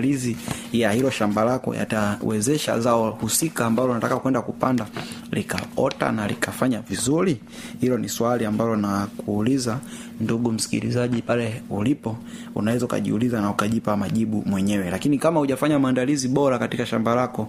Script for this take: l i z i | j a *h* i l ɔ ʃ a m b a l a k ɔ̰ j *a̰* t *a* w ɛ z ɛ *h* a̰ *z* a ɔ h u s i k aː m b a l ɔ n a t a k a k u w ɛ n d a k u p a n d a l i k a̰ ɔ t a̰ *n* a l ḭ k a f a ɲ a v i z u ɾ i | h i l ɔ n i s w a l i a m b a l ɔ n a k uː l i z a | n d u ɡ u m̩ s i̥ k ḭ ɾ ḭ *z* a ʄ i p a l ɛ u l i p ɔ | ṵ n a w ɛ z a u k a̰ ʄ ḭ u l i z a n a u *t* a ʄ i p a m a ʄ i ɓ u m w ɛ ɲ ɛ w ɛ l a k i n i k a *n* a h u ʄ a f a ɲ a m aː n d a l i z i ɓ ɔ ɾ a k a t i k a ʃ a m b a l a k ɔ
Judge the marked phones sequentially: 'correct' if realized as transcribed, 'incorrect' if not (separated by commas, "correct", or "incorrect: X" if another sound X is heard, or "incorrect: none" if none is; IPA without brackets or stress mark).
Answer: correct, correct, correct, incorrect: ʃ, correct, correct, correct, incorrect: k, incorrect: m